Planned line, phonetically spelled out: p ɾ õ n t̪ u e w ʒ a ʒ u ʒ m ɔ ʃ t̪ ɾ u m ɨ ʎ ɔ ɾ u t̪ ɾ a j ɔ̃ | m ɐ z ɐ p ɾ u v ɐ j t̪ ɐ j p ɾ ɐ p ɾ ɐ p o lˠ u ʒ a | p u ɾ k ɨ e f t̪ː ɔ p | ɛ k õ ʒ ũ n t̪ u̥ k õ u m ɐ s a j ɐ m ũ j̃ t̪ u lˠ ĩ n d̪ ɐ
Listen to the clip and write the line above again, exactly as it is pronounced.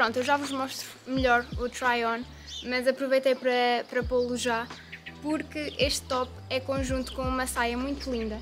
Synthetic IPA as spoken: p ɾ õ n t̪ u e w ʒ a v u ʒ m ɔ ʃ t̪ ɾ u m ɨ ʎ ɔ ɾ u t̪ ɾ a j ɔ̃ | m ɐ z ɐ p ɾ u v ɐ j t̪ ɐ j p ɾ ɐ p ɾ ɐ p o lˠ u ʒ a | p u ɾ k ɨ e ʃ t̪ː ɔ p | ɛ k õ ʒ ũ n t̪ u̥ k õ u m ɐ s a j ɐ m ũ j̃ t̪ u lˠ ĩ n d̪ ɐ